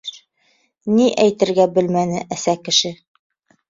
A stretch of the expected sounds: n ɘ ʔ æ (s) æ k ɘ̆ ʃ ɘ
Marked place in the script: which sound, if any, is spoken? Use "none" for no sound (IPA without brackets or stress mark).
s